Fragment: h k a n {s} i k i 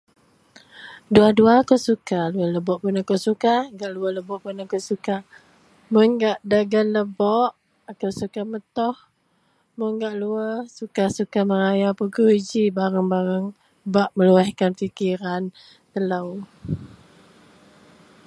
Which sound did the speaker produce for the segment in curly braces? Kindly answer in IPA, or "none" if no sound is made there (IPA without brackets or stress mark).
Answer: f